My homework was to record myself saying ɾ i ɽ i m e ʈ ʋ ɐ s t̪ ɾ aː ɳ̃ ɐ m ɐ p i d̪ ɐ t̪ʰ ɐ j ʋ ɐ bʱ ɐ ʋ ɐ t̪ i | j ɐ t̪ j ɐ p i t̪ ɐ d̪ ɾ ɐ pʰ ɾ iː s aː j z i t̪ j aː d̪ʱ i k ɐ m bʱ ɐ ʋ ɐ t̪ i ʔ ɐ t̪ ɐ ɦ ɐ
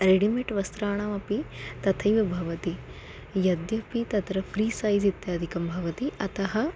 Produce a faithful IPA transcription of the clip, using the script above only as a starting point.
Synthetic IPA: ɾ e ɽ i m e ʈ ʋ ɐ s t̪ ɾ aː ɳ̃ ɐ m ɐ p i t̪ ɐ t̪ʰ ɐ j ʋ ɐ bʱ ɐ ʋ ɐ t̪ i | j ɐ d̪ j ɐ p i t̪ ɐ t̪ ɾ ɐ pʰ ɾ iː s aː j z i t̪ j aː d̪ʱ i k ɐ m bʱ ɐ ʋ ɐ t̪ i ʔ ɐ t̪ ɐ ɦ ɐ